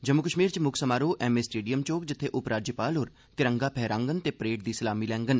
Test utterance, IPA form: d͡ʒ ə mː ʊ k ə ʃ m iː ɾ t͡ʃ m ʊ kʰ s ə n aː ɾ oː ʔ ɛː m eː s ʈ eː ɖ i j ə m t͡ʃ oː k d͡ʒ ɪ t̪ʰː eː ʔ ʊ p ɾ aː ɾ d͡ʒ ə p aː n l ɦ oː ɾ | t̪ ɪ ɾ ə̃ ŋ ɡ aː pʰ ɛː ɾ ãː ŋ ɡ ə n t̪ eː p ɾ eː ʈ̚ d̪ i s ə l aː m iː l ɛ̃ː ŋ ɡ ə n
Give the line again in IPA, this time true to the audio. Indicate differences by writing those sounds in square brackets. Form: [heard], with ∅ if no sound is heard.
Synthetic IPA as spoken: d͡ʒ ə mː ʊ k ə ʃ m iː ɾ t͡ʃ m ʊ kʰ s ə [m] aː ɾ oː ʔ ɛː m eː s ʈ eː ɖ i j ə m t͡ʃ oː k d͡ʒ ɪ t̪ʰː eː ʔ ʊ p ɾ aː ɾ d͡ʒ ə p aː [∅] l ɦ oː ɾ | t̪ ɪ ɾ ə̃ ŋ ɡ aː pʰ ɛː ɾ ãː ŋ ɡ ə n t̪ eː p ɾ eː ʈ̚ d̪ [iː] s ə l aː m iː l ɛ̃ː ŋ ɡ ə n